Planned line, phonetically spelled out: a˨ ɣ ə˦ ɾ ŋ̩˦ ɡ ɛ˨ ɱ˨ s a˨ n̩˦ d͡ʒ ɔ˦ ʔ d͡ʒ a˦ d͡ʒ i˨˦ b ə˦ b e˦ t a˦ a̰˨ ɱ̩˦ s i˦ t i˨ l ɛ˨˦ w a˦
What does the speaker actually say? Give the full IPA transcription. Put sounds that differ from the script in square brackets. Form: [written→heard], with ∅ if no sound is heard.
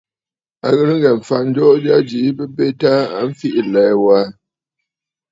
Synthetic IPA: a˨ ɣ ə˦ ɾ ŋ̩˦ ɡ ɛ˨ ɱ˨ [s→f] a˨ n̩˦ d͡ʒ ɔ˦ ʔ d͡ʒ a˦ d͡ʒ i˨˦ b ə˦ b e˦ t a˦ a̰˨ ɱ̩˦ [s→f] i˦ [t→ʔ] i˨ l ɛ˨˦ w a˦